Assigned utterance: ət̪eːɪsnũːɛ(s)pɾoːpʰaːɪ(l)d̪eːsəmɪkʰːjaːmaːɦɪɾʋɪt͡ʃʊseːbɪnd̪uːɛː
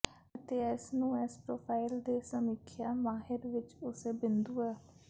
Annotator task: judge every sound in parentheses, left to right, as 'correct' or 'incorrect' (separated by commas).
correct, correct